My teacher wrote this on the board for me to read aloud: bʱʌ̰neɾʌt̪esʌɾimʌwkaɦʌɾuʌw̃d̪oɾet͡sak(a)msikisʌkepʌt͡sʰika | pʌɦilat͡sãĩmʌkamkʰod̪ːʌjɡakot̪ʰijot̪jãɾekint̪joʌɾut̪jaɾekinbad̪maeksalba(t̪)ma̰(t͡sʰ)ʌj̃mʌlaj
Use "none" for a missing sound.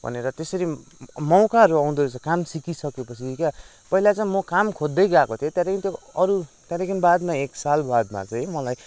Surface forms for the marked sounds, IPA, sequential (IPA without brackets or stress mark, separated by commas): a, d̪, t͡s